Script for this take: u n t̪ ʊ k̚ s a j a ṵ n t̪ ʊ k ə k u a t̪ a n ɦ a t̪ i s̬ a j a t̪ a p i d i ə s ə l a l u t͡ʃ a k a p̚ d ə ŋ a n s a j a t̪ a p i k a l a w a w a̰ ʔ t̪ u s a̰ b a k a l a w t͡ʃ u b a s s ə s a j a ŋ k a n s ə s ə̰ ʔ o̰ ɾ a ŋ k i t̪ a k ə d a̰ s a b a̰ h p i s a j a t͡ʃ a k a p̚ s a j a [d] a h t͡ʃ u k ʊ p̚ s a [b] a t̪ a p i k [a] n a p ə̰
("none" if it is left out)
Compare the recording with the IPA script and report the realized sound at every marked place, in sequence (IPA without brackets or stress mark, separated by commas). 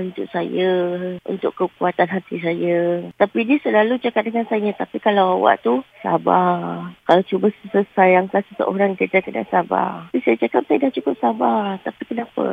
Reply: d, b, ə